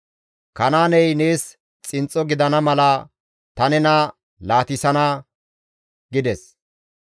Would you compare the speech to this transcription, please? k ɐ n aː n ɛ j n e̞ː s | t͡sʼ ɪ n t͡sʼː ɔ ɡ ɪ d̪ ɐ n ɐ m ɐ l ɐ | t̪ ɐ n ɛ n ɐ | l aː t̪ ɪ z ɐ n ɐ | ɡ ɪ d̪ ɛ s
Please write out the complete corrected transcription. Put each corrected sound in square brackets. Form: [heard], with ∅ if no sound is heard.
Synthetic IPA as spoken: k ɐ n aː n ɛ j n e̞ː s | t͡sʼ ɪ n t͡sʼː ɔ ɡ ɪ d̪ ɐ n ɐ m ɐ l ɐ | t̪ ɐ n ɛ n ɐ | l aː t̪ ɪ [s] ɐ n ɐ | ɡ ɪ d̪ ɛ s